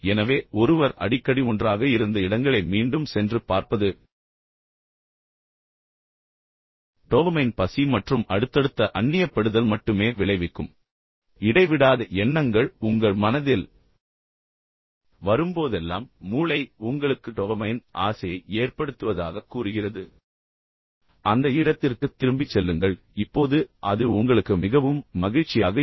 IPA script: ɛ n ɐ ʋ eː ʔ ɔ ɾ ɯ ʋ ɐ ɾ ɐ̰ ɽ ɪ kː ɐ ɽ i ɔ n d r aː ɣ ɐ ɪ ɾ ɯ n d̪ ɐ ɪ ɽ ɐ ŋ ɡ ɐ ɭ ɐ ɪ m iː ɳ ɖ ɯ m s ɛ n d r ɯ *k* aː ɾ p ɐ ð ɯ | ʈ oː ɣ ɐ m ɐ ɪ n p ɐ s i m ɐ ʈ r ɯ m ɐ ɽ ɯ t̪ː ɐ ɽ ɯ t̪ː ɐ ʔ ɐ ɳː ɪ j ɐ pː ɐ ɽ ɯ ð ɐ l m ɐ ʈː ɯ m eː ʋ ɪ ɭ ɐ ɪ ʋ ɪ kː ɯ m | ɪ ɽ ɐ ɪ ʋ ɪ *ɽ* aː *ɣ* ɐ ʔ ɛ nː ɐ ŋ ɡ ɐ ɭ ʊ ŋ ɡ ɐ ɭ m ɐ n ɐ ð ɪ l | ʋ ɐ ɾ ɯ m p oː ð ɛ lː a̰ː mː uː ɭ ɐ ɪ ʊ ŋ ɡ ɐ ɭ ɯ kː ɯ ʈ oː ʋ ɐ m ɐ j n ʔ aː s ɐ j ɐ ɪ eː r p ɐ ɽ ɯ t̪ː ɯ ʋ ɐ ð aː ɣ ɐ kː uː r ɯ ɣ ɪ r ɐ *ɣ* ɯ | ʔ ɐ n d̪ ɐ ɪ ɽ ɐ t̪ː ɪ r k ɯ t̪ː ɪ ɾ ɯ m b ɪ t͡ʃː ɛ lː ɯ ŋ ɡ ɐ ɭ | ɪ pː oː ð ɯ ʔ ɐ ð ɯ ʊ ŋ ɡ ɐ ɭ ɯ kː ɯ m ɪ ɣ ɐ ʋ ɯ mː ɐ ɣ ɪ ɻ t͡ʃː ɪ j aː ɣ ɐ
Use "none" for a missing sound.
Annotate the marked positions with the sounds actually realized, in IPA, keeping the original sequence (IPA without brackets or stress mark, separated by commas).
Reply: p, ɽ, ð, ð